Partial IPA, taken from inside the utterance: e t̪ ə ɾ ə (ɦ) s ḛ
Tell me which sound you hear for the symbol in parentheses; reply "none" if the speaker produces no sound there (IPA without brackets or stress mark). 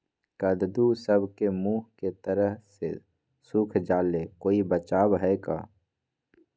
ɦ